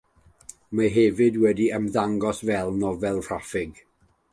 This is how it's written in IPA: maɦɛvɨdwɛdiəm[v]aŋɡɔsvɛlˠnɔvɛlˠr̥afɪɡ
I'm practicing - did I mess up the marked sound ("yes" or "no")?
yes